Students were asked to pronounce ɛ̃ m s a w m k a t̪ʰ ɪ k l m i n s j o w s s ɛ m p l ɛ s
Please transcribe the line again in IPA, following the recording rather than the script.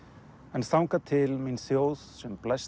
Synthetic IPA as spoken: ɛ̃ n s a w ŋ k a t̪ʰ ɪ l m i n s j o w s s ɛ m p l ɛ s